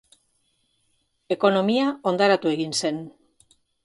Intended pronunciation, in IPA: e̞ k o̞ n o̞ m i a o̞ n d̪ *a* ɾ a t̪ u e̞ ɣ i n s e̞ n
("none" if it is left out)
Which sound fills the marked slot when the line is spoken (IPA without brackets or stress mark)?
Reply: a